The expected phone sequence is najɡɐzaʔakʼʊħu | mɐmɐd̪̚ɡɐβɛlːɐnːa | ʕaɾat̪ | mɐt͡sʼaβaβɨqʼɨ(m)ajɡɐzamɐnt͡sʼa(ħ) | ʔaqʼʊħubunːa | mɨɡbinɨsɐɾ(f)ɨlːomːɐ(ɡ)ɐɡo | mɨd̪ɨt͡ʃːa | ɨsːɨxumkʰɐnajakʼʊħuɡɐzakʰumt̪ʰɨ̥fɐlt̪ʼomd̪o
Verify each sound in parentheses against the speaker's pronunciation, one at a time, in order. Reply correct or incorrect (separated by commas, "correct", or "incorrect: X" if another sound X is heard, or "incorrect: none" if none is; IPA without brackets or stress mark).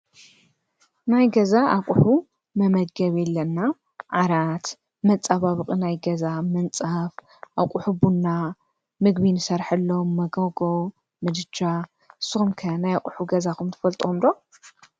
incorrect: n, incorrect: f, incorrect: ħ, correct